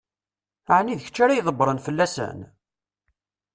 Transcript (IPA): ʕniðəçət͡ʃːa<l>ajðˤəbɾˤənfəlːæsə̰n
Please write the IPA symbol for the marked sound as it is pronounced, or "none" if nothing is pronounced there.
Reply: ɾ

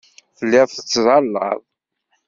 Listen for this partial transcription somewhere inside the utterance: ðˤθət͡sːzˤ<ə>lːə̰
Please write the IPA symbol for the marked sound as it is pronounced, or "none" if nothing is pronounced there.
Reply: ɑ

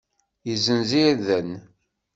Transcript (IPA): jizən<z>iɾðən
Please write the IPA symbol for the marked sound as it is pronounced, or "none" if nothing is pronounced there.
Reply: z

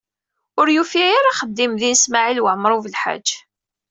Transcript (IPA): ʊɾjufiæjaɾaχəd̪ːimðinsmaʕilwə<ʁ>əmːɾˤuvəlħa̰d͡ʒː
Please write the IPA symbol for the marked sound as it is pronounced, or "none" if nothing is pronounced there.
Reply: ʕ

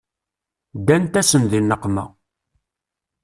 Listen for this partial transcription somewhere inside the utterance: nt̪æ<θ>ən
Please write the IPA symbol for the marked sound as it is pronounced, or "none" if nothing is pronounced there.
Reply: s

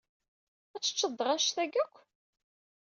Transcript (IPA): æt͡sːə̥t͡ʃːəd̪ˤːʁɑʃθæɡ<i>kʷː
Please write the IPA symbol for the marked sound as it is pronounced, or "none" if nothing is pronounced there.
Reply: æ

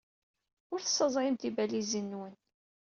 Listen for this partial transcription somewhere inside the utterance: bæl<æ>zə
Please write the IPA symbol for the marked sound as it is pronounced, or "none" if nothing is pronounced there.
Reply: i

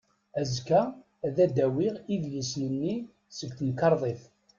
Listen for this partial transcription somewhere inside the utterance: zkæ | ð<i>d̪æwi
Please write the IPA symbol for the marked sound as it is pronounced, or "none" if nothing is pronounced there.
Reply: æ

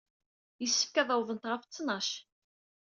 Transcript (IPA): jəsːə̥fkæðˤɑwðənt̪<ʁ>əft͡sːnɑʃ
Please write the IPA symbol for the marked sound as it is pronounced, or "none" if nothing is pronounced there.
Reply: ʁ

